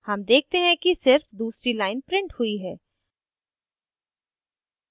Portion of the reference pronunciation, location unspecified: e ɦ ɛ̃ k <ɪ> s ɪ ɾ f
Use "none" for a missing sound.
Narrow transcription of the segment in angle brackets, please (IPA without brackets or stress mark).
i